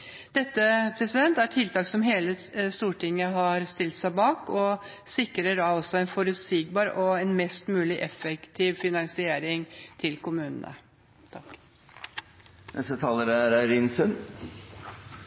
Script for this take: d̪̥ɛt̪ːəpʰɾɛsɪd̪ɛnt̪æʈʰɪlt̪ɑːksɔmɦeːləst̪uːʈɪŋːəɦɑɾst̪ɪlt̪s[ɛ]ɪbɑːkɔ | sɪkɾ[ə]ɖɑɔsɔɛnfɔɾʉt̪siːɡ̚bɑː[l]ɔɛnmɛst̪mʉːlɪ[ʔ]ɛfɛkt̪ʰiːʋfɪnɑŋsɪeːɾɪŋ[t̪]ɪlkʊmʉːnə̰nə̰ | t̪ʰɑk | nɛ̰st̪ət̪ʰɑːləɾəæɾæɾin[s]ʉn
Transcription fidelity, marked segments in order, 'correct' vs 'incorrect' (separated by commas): incorrect, correct, incorrect, correct, incorrect, correct